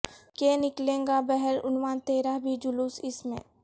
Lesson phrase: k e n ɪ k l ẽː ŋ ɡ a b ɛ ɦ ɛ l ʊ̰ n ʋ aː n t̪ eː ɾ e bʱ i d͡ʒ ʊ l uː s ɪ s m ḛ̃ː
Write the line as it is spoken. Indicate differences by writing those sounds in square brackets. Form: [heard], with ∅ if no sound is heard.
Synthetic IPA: k e n ɪ k l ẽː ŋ ɡ a b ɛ ɦ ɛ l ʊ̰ n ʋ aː n t̪ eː ɾ [a] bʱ i d͡ʒ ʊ l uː s ɪ s m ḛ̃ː